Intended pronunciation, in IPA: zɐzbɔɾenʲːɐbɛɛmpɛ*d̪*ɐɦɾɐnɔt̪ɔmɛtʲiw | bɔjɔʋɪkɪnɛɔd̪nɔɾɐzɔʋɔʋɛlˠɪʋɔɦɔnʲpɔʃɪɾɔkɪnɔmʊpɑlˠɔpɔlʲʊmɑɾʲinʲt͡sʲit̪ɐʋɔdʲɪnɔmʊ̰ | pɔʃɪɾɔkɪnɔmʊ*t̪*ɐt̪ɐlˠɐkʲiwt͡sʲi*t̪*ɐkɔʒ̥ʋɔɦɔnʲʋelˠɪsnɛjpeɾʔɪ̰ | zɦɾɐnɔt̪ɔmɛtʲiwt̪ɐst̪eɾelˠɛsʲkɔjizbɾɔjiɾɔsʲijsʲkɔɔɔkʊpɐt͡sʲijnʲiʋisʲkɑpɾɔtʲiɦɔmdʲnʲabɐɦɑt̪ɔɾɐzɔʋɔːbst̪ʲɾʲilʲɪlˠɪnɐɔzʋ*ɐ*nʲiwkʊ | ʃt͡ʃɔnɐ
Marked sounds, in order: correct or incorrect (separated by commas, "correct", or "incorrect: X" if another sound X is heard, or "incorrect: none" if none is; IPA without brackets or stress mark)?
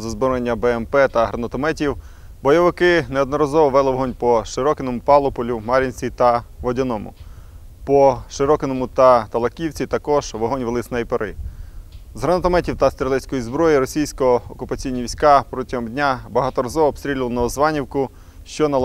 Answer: incorrect: t̪, correct, correct, incorrect: ɑ